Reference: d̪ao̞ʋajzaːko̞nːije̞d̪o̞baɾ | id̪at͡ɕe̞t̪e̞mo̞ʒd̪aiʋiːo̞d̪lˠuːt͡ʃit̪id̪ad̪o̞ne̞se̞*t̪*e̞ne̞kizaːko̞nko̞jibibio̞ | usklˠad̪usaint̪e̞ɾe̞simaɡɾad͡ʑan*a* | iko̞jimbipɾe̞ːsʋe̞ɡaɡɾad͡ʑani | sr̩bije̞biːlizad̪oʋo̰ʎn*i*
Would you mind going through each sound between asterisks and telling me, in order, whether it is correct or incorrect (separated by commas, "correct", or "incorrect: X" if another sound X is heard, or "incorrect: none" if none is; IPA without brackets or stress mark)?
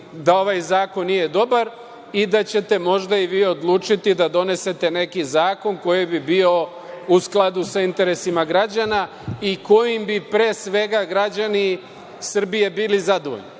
correct, correct, correct